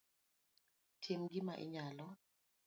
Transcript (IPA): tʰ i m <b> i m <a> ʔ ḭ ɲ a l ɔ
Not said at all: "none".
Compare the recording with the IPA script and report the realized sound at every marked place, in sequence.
ɡ, a

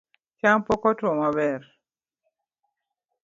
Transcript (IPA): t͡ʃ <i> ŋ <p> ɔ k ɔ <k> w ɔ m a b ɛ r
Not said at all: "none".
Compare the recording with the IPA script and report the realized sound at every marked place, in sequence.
a, p, t

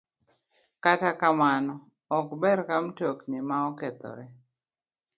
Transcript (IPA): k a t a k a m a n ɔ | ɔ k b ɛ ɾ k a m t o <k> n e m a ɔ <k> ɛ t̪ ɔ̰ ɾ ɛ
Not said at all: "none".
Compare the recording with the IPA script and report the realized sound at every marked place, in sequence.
k, k

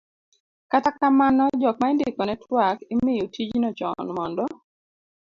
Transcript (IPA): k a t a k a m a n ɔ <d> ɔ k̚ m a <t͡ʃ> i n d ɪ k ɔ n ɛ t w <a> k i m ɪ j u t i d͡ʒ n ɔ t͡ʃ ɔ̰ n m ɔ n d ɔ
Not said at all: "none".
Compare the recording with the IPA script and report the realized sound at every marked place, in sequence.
d͡ʒ, none, a

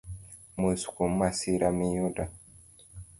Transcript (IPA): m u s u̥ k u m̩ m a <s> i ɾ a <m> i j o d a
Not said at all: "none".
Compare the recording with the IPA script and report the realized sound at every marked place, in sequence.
s, m

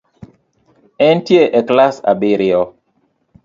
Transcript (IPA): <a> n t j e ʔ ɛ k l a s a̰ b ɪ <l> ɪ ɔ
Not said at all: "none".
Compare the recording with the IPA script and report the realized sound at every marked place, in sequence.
ɛ, ɾ

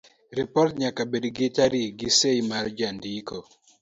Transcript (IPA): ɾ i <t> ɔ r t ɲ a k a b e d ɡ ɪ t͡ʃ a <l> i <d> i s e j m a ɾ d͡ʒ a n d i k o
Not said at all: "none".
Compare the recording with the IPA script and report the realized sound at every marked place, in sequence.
p, ɾ, ɡ

